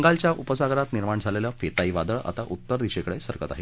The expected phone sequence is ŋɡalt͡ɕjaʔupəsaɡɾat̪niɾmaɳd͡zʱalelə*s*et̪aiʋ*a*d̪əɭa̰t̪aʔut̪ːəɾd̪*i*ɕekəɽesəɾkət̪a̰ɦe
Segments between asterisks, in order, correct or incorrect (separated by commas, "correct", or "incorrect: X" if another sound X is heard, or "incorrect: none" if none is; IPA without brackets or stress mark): incorrect: f, correct, correct